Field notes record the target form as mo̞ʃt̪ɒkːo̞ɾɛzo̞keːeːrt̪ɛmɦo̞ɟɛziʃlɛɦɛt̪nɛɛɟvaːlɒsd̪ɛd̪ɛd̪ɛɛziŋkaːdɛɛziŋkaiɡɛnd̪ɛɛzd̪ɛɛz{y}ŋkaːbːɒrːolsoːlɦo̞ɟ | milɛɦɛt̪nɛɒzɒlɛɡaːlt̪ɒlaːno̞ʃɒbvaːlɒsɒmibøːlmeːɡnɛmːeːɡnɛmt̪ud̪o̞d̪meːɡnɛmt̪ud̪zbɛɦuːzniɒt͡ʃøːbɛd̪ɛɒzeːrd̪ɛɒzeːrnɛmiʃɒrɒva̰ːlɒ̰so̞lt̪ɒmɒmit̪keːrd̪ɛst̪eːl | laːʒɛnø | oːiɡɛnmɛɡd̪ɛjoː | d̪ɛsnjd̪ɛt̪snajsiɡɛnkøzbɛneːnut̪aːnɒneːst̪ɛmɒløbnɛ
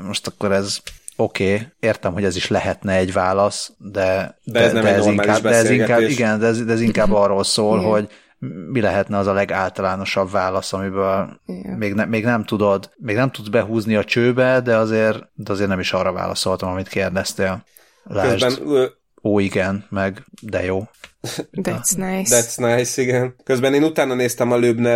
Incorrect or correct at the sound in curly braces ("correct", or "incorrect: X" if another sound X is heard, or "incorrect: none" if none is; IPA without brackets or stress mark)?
incorrect: i